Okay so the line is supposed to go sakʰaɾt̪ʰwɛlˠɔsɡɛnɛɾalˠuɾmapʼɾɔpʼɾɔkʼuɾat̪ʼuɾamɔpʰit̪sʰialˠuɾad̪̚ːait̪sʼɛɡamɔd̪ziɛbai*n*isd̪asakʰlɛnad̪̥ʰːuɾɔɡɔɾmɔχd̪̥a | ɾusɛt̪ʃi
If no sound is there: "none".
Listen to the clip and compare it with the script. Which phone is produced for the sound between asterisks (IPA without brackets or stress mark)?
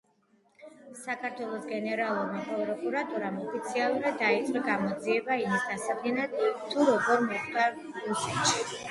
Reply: m